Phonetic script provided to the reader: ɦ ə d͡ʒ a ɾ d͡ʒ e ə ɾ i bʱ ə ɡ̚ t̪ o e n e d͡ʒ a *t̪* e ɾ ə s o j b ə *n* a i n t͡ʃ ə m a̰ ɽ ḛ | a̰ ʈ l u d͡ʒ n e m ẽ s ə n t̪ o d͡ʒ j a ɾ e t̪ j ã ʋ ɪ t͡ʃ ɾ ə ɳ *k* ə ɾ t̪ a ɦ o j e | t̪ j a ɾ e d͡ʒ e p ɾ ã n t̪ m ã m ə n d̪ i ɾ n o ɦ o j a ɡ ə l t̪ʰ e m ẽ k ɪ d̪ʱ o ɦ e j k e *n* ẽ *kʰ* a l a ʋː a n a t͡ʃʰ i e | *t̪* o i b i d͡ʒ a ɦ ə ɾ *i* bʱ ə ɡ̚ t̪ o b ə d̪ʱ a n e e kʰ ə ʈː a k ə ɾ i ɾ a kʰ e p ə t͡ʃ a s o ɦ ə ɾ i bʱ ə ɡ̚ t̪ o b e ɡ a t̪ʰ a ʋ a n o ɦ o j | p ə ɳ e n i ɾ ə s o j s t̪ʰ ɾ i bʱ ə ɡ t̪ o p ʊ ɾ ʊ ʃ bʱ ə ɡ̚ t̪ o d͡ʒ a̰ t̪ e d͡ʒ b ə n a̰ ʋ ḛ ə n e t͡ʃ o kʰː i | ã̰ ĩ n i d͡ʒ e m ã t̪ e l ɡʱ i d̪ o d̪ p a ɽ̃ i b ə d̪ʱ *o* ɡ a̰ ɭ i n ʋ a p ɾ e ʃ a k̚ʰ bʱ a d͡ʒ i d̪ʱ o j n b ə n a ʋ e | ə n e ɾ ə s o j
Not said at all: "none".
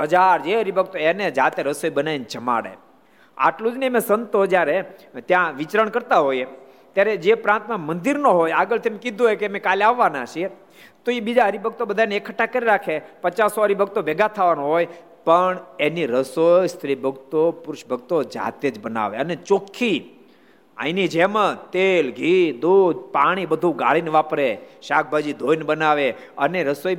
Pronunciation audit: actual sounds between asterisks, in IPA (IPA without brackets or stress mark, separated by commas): t̪, n, k, m, k, t̪, i, u